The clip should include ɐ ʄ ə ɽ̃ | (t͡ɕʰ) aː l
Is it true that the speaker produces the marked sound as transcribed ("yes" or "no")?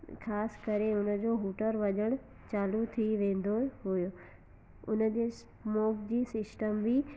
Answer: no